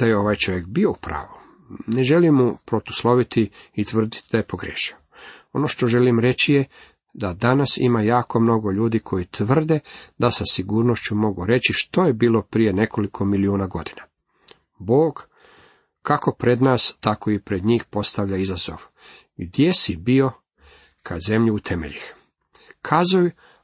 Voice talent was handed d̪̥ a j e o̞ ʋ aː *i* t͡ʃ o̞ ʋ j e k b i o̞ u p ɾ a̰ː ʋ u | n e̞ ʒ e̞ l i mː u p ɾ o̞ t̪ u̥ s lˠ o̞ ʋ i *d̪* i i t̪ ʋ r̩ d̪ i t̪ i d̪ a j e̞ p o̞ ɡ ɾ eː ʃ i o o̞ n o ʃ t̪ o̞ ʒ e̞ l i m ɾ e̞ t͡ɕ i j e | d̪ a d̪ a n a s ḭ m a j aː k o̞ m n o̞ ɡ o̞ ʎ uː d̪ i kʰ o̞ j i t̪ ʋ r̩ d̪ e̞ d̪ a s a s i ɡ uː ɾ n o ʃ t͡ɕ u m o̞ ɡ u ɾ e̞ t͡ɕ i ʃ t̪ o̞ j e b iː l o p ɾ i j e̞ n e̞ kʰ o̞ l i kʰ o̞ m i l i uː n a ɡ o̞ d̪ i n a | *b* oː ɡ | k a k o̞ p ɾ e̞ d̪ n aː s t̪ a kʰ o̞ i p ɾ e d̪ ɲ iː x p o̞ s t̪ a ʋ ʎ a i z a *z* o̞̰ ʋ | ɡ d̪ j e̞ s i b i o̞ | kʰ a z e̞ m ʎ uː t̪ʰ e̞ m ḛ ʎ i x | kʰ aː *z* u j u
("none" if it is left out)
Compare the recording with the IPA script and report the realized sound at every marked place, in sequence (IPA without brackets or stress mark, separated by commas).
j, t̪, b, z, z